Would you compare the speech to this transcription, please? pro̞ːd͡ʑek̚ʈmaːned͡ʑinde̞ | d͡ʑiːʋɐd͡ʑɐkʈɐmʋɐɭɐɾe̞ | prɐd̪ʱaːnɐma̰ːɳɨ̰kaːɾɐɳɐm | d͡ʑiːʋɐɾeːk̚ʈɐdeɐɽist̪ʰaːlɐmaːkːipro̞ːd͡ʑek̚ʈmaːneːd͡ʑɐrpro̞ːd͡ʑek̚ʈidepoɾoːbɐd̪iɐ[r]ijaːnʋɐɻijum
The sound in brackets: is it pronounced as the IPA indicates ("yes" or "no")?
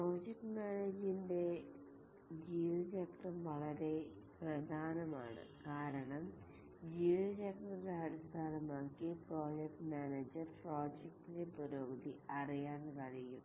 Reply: yes